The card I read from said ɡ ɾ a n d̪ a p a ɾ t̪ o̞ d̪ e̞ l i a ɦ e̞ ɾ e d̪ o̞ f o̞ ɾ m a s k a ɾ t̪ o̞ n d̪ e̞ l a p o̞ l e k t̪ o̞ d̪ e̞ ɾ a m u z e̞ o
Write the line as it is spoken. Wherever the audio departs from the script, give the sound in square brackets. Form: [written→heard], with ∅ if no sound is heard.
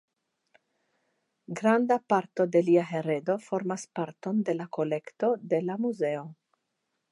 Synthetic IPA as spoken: ɡ ɾ a n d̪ a p a ɾ t̪ o̞ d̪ e̞ l i a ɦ e̞ ɾ e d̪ o̞ f o̞ ɾ m a s [k→p] a ɾ t̪ o̞ n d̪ e̞ l a [p→k] o̞ l e k t̪ o̞ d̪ e̞ [ɾ→l] a m u z e̞ o